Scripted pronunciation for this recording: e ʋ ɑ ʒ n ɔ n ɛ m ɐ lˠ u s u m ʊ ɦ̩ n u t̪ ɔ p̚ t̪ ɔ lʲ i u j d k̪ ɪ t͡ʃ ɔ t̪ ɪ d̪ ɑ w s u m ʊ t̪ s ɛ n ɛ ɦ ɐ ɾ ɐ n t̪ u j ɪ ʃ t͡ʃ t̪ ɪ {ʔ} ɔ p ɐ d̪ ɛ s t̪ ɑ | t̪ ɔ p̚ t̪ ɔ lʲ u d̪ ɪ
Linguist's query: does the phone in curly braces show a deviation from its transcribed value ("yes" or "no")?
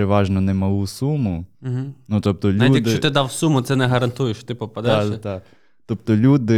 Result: yes